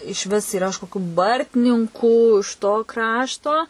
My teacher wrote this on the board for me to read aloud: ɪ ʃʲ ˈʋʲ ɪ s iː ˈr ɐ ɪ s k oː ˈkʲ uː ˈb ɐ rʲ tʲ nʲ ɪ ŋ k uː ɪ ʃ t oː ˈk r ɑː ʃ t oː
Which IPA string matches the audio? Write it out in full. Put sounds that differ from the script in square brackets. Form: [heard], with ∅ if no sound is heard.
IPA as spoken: ɪ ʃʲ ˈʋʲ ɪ s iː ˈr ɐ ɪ [ʃ] k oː ˈkʲ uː ˈb ɐ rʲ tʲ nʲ ɪ ŋ k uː ɪ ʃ t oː ˈk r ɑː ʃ t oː